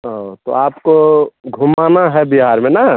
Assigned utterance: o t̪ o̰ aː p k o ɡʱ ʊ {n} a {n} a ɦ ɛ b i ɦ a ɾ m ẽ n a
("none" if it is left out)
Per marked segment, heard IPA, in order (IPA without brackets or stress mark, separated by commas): m, n